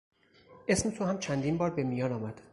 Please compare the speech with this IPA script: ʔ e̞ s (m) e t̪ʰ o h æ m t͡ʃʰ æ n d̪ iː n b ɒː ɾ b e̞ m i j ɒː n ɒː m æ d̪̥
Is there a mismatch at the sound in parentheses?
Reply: no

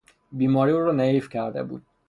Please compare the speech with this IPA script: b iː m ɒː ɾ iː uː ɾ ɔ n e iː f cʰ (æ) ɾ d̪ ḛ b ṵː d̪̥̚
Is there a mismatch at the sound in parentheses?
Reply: no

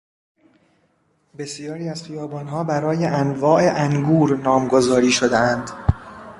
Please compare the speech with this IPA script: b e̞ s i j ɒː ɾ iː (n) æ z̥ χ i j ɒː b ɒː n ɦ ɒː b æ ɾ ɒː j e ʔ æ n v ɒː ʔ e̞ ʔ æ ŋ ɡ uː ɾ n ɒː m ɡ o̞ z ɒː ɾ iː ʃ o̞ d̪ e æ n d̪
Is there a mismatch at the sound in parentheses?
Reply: yes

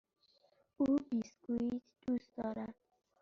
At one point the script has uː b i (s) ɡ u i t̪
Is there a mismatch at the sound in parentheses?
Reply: no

